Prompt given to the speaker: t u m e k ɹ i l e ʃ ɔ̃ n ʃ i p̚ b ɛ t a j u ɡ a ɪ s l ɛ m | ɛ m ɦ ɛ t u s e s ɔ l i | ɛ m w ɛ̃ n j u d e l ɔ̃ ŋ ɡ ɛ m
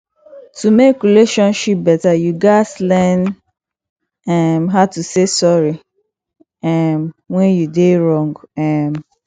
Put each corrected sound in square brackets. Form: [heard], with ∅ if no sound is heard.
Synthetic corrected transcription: t u m e k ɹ i l e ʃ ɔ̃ n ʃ i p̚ b ɛ t a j u ɡ a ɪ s l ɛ [n] | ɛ m ɦ [a] t u s e s ɔ [ɹ] i | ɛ m w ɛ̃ n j u d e [ɹ] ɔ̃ ŋ ɡ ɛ m